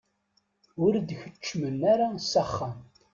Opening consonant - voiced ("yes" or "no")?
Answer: yes